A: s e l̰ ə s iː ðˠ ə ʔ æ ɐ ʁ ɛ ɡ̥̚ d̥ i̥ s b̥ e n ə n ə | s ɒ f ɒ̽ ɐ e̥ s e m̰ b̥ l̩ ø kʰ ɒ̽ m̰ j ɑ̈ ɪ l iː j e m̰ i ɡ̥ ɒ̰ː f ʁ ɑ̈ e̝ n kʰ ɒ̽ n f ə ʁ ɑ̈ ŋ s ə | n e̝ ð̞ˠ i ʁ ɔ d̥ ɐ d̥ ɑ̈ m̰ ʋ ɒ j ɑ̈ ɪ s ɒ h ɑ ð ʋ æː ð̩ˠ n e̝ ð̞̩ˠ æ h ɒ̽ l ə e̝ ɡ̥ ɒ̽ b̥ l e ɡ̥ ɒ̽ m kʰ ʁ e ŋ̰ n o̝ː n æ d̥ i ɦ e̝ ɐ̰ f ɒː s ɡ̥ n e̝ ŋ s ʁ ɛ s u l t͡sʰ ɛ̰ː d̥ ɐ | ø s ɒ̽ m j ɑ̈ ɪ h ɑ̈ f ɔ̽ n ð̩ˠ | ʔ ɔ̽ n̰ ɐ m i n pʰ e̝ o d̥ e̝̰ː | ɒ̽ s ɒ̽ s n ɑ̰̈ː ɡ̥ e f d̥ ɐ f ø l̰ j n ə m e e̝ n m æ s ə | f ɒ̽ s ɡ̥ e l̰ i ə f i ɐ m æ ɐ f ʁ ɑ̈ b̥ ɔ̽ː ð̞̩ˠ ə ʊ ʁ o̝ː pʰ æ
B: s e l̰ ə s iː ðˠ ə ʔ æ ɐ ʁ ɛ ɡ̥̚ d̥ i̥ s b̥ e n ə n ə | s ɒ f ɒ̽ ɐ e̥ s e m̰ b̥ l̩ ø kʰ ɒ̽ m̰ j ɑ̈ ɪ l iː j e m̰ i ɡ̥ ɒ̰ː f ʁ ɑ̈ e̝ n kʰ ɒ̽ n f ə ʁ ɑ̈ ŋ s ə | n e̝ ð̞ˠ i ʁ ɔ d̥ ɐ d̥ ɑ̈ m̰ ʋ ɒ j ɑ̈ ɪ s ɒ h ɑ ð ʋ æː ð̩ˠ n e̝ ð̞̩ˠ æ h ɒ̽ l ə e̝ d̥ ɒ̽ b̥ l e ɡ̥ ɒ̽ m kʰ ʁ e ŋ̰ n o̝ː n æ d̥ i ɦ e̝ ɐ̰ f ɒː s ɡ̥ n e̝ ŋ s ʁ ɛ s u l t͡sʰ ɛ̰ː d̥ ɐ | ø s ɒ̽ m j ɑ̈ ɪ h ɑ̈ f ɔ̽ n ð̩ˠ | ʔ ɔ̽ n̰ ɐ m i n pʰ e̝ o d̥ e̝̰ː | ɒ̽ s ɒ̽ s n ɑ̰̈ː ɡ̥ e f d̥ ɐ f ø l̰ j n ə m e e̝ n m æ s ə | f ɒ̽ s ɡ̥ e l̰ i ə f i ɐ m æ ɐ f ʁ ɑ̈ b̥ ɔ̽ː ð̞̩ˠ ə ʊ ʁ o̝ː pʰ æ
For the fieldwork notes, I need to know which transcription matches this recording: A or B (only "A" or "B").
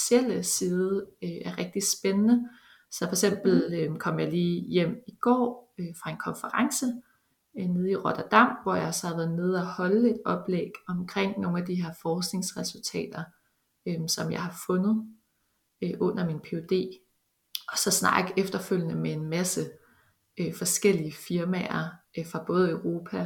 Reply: B